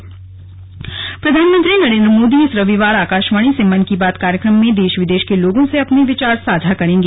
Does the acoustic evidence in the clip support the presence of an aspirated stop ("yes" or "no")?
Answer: no